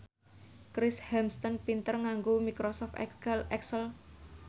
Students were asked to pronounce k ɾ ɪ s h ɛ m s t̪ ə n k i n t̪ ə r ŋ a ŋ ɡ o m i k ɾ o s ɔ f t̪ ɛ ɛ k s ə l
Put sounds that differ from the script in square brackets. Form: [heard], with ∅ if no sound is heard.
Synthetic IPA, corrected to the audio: k ɾ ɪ s h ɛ m s t̪ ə n [p] i n t̪ ə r ŋ a ŋ ɡ o m i k ɾ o s ɔ f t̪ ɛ ɛ k s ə l